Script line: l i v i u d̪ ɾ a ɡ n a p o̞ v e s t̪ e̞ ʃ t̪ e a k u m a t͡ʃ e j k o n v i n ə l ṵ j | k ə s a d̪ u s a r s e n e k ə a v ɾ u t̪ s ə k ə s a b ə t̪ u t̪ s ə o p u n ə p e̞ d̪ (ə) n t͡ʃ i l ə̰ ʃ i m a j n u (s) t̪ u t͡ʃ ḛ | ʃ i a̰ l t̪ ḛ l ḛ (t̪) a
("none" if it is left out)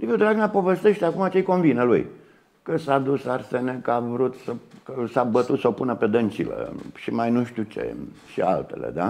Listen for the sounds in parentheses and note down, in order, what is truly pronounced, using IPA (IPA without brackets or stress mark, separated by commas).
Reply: ə, ʃ, d̪